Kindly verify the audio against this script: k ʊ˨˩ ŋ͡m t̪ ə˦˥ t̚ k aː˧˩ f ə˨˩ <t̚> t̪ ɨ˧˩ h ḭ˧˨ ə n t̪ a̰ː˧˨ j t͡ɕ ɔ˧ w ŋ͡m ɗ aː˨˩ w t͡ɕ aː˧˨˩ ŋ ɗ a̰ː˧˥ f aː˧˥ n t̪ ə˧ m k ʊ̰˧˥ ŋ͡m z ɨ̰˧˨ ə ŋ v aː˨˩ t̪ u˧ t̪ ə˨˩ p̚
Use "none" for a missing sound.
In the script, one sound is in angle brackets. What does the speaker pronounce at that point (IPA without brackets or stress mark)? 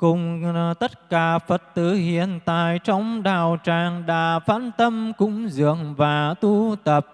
t̚